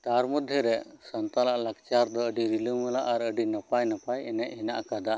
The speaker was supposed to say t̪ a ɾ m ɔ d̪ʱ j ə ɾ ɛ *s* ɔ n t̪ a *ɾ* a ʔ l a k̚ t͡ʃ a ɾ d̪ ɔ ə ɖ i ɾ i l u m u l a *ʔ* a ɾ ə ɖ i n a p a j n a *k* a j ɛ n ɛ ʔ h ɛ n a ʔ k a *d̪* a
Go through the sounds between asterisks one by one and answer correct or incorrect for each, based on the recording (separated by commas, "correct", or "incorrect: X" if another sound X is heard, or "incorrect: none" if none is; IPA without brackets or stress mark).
correct, incorrect: l, correct, incorrect: p, correct